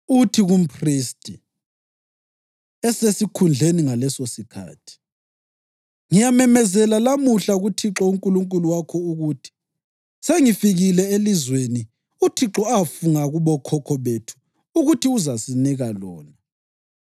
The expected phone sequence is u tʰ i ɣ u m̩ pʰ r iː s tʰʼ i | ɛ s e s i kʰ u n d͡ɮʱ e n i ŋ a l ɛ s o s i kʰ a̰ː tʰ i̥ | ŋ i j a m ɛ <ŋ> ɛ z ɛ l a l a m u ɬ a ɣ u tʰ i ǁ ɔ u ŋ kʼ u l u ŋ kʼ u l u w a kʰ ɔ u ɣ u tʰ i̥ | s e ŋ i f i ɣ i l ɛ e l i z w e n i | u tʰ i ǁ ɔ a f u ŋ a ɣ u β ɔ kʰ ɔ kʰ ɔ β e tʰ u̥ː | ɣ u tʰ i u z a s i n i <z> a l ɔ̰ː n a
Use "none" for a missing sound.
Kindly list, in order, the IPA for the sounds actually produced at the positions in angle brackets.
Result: m, ɣ

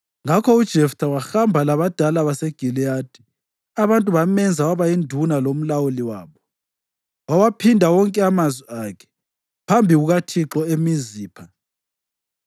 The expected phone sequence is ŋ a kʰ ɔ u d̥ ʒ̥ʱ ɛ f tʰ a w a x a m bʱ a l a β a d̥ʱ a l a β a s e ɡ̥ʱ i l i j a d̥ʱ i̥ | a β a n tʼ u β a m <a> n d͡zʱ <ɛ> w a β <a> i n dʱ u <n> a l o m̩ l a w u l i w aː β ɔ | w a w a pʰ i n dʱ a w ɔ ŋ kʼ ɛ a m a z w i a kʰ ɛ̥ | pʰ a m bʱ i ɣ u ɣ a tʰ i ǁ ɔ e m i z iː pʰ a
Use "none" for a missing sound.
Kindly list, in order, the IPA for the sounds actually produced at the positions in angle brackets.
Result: ɛ, a, a, n

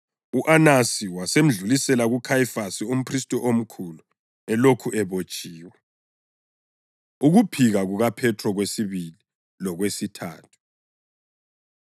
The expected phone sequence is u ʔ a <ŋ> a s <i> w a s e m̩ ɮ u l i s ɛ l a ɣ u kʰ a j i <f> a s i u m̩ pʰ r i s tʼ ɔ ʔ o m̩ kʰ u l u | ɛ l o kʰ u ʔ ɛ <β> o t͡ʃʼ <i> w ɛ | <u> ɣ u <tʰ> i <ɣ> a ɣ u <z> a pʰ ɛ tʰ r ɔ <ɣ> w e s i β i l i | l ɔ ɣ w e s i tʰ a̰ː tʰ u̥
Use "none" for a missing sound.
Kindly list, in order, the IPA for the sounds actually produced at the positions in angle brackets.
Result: n, i, f, β, iː, u, pʰ, ɣ, ɣ, ɣ

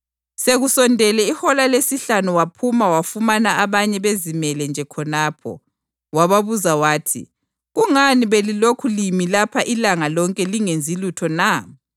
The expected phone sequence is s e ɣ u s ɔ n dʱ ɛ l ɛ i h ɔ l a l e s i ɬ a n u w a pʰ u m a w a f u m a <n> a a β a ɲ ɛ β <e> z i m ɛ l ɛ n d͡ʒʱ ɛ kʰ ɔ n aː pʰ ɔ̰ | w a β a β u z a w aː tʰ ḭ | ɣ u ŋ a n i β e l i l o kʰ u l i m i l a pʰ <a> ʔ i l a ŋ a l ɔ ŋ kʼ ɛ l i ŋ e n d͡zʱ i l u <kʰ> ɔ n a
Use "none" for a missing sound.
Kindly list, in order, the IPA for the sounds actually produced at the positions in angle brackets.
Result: n, e, a, tʰ

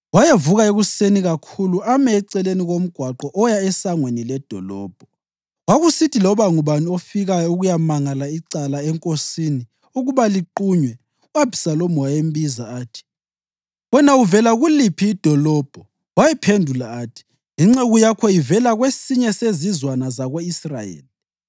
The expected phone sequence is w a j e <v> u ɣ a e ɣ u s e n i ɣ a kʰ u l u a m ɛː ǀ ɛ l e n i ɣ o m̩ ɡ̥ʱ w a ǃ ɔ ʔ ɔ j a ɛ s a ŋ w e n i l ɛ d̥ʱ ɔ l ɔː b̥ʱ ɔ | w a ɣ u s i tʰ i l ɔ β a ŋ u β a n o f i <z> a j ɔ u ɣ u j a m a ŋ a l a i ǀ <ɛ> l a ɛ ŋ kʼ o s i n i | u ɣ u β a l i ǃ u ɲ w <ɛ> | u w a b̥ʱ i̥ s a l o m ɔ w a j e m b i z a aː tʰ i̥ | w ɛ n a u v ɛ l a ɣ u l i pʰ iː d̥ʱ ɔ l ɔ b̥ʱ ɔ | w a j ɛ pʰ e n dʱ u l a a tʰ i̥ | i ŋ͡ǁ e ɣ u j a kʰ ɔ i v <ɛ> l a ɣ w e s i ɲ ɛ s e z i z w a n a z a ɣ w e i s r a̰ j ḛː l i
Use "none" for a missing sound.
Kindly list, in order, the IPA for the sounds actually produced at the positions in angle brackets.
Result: v, ɣ, a, ɛ, ɛ

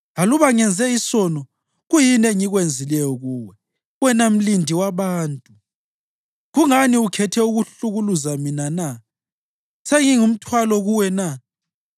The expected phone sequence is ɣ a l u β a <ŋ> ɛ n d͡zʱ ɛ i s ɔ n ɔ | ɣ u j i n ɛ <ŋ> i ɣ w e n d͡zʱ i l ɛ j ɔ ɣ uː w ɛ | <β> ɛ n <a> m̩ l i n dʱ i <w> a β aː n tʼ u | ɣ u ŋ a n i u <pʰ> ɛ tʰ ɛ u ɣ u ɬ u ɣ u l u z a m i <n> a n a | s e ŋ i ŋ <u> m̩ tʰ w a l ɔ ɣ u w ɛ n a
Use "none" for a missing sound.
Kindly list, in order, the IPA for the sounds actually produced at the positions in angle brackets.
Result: ŋ, ŋ, w, a, w, kʰ, n, u

